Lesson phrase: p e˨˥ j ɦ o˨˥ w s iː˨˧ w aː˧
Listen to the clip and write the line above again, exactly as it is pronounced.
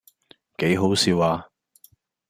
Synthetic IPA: k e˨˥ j ɦ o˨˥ w s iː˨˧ w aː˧